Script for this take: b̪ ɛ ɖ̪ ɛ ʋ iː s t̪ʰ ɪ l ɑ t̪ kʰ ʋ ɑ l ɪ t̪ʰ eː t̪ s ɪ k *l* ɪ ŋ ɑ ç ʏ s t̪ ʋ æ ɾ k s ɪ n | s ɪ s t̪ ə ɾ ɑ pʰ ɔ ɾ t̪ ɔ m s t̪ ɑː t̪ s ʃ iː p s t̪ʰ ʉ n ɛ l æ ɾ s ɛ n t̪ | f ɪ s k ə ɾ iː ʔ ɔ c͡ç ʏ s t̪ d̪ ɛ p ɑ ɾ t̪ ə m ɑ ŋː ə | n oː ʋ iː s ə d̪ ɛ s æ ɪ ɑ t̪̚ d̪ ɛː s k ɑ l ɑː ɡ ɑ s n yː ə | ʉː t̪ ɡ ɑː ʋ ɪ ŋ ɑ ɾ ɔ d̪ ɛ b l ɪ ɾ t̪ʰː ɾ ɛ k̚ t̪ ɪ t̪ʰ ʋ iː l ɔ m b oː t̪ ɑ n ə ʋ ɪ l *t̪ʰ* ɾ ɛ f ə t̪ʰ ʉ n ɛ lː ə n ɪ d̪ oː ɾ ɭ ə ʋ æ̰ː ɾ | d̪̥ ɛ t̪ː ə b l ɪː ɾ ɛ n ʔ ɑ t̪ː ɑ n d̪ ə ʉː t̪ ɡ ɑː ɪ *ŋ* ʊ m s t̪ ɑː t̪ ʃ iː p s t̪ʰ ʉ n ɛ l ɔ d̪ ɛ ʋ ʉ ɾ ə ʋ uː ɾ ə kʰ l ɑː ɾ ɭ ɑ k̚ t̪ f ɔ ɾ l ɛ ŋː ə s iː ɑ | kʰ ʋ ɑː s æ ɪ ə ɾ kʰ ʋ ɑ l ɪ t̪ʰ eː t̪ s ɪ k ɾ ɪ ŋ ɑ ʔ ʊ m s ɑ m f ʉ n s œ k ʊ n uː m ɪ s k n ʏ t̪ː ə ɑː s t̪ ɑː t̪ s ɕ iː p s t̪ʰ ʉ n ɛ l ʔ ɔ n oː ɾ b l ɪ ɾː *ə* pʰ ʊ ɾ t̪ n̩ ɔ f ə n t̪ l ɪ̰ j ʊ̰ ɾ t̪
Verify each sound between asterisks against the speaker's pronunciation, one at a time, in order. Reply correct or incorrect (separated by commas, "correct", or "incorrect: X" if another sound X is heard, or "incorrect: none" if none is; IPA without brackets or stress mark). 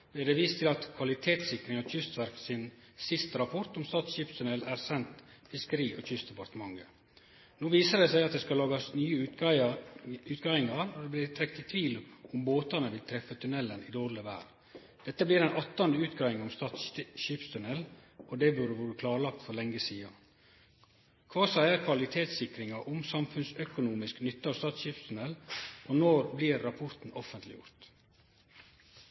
incorrect: ɾ, correct, correct, incorrect: ɑ